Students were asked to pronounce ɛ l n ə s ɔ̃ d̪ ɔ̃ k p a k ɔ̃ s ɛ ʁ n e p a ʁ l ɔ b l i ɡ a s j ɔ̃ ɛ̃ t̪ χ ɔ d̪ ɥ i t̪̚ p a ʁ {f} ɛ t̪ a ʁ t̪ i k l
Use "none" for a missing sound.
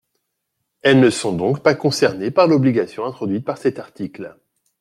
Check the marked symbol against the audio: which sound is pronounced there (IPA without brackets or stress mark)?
s